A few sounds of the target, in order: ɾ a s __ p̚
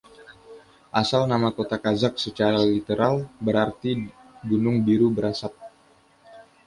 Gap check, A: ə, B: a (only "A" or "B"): B